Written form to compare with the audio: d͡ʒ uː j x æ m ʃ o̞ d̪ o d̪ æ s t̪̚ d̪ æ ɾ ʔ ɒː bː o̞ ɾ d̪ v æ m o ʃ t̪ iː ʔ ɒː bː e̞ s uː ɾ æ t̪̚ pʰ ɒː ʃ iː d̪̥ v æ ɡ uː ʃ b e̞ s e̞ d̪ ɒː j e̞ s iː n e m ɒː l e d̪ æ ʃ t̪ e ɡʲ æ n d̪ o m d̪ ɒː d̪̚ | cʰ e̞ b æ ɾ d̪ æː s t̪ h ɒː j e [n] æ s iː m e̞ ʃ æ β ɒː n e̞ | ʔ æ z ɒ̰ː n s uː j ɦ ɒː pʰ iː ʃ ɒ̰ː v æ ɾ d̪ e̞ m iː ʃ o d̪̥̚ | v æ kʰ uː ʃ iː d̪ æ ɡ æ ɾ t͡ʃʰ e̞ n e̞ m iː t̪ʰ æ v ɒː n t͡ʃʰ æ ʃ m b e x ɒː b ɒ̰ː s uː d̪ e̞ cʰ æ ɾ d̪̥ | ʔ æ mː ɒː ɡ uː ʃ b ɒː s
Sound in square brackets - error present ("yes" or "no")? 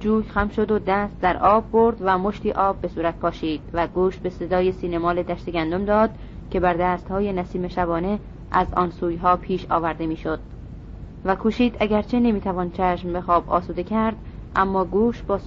no